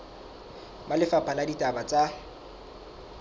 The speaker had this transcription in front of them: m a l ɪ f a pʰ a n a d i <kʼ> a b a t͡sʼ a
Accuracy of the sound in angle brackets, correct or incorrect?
incorrect